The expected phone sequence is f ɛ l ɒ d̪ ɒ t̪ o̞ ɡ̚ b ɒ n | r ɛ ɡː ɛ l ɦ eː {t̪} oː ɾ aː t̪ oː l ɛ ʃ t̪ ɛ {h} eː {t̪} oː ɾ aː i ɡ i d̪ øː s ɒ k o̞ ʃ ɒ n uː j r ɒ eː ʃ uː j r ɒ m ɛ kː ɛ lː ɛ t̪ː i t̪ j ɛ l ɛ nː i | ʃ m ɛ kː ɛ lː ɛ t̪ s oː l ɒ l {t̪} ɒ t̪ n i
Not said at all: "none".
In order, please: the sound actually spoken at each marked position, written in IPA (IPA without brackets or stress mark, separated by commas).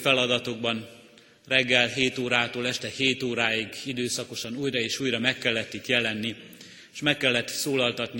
t̪, h, t̪, t̪